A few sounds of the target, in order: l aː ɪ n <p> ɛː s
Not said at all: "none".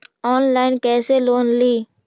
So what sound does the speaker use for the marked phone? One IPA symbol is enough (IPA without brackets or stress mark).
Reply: k